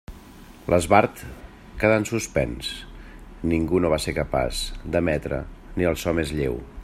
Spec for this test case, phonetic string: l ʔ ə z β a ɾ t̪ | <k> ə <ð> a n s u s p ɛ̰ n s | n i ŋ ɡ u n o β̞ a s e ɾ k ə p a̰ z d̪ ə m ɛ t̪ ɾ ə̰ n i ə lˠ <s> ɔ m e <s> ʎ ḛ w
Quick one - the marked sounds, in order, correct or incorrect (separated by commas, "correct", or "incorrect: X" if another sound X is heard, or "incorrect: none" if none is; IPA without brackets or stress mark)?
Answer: correct, correct, correct, incorrect: z